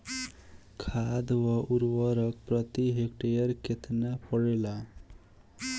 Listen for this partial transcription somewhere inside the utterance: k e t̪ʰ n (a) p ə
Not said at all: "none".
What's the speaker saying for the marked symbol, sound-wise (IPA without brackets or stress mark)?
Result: a